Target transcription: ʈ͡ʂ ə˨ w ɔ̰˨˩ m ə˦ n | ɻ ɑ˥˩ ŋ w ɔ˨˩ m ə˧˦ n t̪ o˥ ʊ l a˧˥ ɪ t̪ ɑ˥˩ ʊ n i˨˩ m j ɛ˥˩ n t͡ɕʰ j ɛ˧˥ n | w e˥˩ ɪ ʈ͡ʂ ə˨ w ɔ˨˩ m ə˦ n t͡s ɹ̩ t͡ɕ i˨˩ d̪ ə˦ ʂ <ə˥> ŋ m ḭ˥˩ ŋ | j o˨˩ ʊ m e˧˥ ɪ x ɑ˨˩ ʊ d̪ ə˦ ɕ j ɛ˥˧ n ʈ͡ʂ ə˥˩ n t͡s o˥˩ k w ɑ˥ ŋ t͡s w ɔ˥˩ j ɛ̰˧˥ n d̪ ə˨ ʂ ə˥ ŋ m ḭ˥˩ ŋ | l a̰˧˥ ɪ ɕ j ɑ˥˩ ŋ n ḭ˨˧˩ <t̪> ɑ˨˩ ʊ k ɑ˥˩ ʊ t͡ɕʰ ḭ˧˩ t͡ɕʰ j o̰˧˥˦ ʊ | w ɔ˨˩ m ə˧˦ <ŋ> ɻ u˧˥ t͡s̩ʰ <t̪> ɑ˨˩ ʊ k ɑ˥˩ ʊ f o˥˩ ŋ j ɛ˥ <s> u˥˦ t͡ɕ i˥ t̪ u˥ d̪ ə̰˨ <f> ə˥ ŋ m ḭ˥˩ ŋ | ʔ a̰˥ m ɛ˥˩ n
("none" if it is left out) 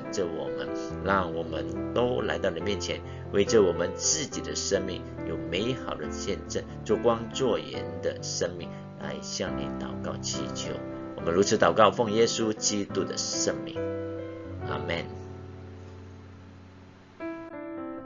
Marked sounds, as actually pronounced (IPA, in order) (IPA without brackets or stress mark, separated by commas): ə˥, t̪, n, t̪, s, ʂ